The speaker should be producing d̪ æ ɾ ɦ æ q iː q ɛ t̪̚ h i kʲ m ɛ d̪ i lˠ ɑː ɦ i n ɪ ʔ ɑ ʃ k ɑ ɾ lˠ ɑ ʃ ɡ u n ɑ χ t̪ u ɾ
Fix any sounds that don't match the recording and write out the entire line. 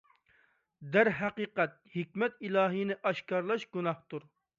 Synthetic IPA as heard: d̪ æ ɾ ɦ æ q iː q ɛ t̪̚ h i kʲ m ɛ t̪ i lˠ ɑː ɦ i n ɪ ʔ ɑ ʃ k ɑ ɾ lˠ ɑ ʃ ɡ u n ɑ h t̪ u ɾ